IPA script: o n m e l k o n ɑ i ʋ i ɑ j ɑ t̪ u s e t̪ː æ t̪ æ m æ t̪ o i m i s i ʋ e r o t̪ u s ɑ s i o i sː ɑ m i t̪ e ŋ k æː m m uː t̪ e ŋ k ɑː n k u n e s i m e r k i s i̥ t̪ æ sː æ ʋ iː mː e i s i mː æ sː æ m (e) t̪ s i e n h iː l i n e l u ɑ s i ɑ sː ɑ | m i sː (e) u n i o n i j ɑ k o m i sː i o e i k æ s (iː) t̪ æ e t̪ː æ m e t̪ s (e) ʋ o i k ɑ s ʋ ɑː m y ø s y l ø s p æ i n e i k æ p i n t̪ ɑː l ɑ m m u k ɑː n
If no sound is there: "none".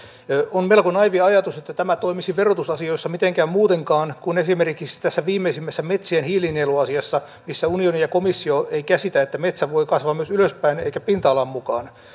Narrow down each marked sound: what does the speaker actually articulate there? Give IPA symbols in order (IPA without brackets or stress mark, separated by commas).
e, æ, i, æ